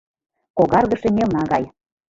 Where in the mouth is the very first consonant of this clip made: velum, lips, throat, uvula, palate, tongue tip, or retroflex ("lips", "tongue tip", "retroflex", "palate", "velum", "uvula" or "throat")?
velum